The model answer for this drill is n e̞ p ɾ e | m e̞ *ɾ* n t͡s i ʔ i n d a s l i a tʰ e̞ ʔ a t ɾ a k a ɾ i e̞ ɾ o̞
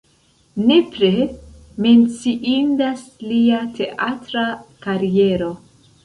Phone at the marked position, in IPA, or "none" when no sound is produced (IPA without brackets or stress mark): none